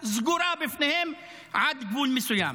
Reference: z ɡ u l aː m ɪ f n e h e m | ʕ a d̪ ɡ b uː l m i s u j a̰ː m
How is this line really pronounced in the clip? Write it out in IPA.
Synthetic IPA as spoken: z ɡ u ɾ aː b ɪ f n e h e m | ʕ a d̪ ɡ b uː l m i s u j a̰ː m